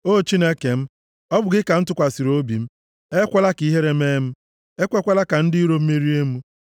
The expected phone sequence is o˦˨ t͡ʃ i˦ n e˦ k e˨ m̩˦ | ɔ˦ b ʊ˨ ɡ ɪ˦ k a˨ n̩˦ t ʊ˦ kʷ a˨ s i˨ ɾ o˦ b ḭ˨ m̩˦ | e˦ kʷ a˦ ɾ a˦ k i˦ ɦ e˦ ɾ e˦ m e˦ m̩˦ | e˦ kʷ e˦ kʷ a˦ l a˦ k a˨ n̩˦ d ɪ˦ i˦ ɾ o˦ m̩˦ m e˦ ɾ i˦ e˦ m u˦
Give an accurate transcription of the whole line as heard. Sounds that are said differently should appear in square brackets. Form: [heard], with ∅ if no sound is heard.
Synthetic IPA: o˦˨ t͡ʃ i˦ n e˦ k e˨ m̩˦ | ɔ˦ b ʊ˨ ɡ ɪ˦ k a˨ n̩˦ t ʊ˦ kʷ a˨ s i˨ ɾ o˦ b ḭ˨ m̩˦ | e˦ kʷ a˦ [l] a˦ k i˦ ɦ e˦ ɾ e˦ m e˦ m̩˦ | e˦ kʷ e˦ kʷ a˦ l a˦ k a˨ n̩˦ d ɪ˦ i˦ ɾ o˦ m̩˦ m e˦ ɾ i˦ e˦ m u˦